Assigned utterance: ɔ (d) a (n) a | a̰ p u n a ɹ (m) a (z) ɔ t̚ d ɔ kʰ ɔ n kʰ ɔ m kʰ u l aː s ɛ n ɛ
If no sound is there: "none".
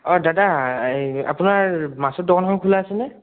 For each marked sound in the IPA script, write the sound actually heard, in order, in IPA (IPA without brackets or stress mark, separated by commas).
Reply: d, d, m, s